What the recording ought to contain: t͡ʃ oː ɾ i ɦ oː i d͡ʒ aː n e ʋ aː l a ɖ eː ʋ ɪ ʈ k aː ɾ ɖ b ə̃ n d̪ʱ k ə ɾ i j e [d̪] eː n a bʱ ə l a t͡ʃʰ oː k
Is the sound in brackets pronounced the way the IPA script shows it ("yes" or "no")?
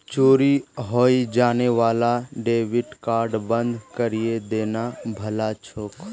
yes